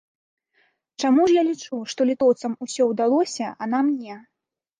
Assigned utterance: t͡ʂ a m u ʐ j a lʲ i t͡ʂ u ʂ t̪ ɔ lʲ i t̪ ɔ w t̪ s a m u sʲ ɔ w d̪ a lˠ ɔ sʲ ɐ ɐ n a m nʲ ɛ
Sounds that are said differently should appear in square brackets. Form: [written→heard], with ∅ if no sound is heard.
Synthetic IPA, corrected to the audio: t͡ʂ a m u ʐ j a lʲ i t͡ʂ u ʂ t̪ ɔ lʲ i t̪ ɔ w t̪ s [a→ɐ] m u sʲ ɔ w d̪ a lˠ ɔ sʲ ɐ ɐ n a m nʲ ɛ